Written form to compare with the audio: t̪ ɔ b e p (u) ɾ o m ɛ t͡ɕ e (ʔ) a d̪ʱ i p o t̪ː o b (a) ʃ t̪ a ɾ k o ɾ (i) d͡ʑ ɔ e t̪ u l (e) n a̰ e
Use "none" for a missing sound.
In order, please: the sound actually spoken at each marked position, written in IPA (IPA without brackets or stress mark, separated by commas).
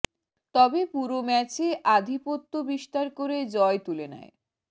u, ʔ, i, e, e